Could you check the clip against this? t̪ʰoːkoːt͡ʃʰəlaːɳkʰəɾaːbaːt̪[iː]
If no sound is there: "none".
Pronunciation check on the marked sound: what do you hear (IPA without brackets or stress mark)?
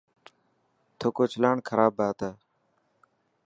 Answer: aː